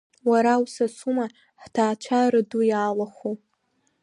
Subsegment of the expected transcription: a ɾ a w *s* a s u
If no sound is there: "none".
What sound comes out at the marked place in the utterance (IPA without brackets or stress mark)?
s